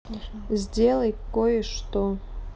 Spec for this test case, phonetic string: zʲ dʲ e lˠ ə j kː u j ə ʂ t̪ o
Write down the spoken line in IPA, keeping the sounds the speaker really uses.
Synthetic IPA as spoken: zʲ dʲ e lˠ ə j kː o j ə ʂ t̪ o